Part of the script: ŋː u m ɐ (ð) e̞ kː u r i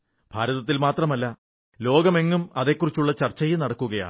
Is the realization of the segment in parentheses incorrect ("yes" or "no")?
no